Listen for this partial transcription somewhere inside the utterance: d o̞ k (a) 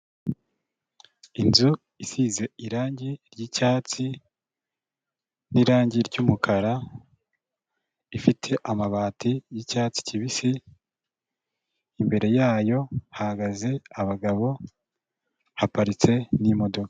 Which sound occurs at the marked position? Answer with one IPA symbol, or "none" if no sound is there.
a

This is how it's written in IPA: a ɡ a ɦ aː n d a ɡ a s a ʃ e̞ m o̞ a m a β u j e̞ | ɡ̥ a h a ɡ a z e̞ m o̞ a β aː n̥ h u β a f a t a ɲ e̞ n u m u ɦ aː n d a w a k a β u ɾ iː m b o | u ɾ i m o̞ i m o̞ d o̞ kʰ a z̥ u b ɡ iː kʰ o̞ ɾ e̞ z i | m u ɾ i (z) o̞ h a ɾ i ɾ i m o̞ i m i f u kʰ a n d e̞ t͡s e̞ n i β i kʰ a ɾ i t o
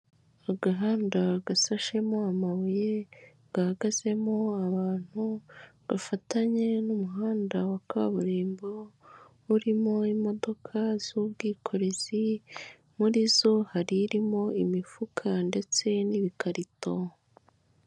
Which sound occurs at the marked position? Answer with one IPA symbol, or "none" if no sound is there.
z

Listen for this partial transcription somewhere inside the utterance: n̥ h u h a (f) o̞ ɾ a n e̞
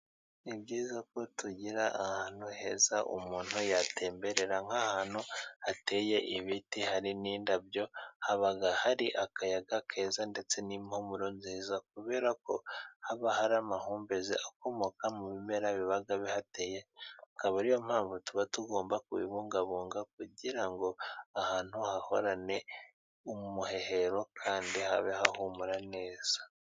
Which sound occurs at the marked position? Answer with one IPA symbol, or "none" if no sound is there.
h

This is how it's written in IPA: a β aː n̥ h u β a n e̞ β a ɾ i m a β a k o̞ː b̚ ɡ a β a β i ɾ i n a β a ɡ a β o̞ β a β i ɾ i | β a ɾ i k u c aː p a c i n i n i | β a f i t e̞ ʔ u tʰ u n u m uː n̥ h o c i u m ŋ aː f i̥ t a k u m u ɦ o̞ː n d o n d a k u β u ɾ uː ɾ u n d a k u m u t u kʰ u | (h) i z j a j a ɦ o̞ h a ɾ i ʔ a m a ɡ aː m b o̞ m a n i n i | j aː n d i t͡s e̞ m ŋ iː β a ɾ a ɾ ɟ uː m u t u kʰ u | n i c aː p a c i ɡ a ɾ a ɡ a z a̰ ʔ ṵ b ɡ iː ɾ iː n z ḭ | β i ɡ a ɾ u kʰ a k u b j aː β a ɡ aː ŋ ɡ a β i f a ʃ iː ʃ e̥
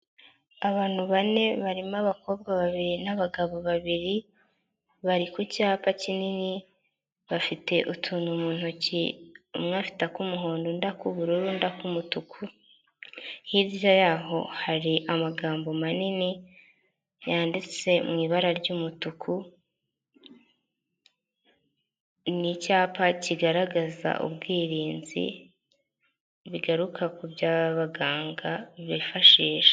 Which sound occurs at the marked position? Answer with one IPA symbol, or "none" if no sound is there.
h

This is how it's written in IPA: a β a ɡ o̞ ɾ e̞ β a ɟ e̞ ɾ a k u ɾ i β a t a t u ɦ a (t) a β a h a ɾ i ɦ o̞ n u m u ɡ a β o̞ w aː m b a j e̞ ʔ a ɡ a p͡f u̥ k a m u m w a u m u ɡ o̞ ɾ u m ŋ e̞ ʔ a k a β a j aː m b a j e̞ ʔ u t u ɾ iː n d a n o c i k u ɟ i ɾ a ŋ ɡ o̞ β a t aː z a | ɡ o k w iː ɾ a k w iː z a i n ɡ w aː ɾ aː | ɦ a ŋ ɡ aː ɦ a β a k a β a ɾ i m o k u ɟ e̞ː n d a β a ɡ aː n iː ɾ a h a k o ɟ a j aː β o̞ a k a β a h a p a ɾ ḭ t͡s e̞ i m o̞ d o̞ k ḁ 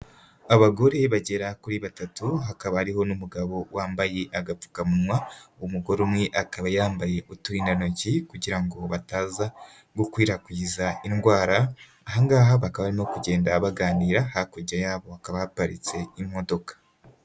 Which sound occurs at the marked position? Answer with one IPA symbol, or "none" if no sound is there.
k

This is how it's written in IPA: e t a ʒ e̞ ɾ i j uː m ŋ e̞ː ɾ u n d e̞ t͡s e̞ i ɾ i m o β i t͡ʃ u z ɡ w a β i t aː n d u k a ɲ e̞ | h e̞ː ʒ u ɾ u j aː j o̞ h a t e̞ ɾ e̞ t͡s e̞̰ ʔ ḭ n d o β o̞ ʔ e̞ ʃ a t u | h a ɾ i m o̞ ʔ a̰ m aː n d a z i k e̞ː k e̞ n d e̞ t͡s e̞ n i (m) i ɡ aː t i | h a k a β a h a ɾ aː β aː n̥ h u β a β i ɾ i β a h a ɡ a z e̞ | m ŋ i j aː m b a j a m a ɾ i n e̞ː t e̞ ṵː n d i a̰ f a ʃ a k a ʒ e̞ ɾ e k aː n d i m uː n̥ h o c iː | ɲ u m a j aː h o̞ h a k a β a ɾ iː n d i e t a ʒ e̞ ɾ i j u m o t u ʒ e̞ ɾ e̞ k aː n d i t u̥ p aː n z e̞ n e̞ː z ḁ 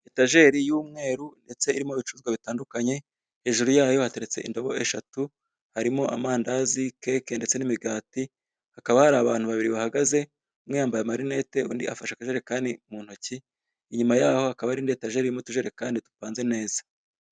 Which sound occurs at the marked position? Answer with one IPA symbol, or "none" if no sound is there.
m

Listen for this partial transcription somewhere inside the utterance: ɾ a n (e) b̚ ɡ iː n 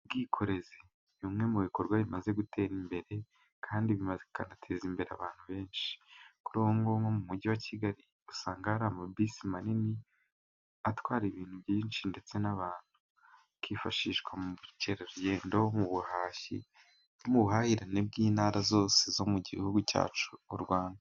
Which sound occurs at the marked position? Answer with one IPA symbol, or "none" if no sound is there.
e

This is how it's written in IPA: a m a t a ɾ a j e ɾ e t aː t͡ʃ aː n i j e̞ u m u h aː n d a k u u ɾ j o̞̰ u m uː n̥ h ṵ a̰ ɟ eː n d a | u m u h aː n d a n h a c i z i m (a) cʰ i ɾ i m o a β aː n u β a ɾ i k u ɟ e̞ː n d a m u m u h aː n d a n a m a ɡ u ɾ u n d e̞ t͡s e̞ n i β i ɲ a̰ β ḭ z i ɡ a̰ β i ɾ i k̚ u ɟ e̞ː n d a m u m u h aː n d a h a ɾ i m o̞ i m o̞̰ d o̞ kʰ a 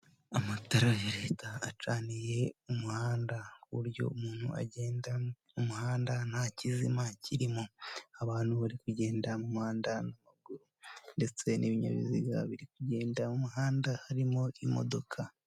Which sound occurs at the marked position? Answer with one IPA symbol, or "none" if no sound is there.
a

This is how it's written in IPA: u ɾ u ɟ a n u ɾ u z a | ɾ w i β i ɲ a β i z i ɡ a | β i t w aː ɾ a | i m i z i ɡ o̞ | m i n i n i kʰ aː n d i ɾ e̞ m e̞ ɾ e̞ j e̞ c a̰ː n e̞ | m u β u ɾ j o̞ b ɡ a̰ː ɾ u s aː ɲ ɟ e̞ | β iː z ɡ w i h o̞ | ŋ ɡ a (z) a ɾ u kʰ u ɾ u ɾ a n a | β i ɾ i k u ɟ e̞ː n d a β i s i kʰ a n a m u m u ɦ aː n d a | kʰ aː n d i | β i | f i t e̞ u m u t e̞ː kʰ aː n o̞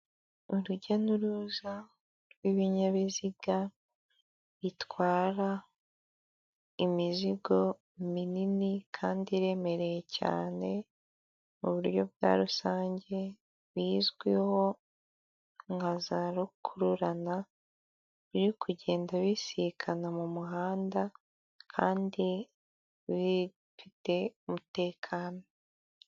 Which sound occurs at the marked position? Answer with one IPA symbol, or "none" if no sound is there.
z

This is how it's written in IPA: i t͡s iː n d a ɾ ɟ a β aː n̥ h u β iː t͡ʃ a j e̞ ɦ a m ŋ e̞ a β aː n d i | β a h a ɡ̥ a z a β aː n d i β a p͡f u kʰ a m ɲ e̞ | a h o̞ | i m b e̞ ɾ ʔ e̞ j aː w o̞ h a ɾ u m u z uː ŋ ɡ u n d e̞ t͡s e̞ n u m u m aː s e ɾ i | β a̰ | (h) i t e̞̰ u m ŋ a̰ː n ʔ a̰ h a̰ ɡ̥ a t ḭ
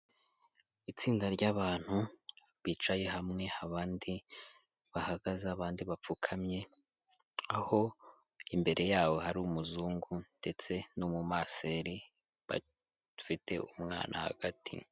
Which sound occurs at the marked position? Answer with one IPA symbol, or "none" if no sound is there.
f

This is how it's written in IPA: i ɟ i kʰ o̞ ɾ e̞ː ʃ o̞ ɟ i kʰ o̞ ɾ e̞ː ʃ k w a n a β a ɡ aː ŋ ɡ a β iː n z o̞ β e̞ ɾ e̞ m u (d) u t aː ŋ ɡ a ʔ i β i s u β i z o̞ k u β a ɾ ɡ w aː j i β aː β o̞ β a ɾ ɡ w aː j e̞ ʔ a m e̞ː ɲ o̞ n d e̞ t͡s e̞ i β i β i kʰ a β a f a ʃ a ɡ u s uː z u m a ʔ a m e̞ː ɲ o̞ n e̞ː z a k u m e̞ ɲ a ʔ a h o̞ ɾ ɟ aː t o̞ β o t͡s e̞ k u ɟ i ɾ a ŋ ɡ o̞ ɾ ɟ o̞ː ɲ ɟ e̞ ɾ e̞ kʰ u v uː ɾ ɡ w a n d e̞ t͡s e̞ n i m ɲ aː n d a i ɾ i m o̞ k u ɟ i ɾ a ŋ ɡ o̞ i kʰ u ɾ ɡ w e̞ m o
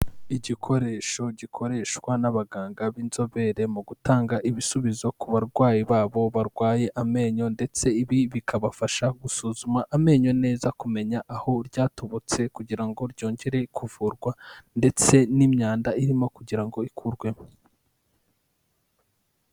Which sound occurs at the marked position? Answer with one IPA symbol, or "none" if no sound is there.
ɡ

